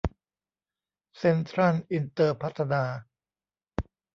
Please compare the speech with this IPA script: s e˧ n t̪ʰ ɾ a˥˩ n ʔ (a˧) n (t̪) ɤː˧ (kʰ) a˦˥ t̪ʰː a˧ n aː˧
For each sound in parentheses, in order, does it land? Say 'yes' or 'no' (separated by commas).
no, yes, no